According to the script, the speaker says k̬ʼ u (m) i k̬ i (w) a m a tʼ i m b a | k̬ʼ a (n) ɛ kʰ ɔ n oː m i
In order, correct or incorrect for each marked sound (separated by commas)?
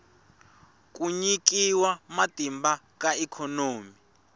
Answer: incorrect, correct, incorrect